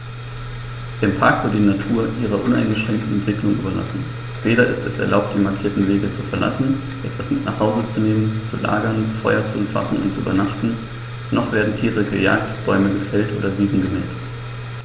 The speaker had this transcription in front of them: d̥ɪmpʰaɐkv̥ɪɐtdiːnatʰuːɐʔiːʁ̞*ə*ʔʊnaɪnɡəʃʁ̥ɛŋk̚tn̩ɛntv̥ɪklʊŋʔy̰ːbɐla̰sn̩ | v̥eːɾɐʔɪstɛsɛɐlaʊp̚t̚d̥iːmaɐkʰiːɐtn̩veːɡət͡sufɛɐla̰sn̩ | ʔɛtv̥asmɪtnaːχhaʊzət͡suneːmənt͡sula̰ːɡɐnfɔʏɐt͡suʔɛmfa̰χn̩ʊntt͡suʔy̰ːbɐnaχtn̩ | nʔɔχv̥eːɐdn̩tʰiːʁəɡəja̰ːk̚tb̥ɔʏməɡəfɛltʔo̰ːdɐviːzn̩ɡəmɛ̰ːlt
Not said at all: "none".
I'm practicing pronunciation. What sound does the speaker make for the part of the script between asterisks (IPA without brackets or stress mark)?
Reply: ɐ